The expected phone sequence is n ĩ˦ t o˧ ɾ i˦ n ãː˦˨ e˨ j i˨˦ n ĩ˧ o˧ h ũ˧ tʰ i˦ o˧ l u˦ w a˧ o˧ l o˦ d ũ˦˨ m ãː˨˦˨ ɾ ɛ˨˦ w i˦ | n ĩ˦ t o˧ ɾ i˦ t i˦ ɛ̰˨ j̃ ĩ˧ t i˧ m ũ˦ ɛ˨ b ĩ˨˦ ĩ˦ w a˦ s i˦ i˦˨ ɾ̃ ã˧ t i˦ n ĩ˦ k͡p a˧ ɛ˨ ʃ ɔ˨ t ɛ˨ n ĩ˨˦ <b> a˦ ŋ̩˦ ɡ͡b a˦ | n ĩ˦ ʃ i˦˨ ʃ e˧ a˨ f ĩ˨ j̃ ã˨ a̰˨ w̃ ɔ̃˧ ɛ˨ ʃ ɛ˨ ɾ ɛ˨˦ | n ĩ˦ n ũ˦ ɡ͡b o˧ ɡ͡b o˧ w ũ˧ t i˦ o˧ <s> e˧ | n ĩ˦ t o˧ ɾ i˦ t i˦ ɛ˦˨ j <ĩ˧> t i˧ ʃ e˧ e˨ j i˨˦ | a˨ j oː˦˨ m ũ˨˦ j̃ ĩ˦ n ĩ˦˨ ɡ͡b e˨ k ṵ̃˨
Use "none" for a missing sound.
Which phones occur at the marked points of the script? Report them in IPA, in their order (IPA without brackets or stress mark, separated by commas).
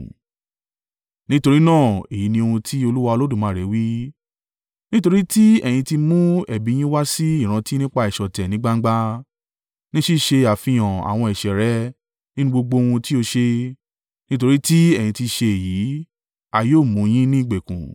ɡ͡b, ʃ, ĩ˧